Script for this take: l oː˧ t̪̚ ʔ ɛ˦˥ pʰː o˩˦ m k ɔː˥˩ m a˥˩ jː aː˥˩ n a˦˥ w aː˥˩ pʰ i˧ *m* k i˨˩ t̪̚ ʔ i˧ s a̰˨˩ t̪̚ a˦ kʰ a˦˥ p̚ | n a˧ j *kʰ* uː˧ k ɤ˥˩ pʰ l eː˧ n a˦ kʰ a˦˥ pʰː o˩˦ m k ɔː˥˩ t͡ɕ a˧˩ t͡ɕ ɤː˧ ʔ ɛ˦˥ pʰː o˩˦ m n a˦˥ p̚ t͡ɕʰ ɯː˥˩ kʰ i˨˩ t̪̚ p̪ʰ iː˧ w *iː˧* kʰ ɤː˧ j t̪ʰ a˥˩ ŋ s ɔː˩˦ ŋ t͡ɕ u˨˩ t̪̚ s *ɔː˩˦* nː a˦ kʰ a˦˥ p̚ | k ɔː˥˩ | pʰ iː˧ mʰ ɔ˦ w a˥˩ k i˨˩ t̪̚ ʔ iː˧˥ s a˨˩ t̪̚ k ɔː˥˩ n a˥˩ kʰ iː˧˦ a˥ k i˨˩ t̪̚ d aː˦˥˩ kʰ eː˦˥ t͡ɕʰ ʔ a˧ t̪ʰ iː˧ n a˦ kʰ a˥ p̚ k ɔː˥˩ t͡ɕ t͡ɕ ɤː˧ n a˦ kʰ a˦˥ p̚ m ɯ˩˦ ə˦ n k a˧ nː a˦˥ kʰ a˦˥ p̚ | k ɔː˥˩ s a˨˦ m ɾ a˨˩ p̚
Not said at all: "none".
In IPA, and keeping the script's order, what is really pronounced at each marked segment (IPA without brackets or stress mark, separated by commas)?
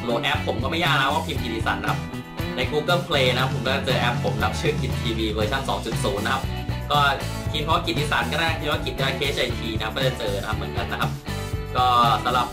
m, k, iː˧, uː˩˦